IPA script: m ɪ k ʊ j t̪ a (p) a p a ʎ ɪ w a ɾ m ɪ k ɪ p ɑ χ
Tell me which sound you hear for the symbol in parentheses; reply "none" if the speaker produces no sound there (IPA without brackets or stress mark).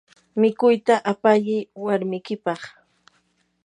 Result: ʔ